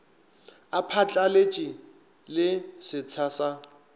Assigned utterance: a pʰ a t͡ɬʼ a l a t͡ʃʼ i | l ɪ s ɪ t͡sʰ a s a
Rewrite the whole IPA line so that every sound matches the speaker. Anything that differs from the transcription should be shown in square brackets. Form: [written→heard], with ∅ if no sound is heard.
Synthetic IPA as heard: a pʰ a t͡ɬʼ a l [a→e] t͡ʃʼ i | l ɪ s ɪ t͡sʰ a s a